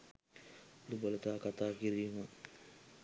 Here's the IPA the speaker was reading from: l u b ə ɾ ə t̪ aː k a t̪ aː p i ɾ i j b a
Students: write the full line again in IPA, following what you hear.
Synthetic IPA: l u b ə l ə t̪ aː k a t̪ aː k i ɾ i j m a